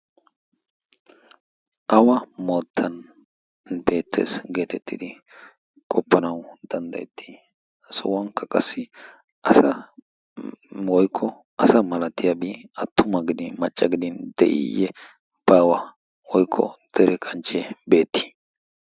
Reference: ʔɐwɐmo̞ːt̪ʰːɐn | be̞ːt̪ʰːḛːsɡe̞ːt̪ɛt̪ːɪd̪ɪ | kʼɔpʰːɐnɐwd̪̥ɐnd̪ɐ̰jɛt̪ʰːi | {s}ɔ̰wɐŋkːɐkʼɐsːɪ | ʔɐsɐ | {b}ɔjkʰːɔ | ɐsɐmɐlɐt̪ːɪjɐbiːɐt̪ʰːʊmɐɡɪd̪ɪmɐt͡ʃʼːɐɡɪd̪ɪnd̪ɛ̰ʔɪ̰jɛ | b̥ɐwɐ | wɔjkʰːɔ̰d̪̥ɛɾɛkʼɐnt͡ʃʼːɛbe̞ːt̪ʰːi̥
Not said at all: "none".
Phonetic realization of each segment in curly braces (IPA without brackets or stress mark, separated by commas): s, w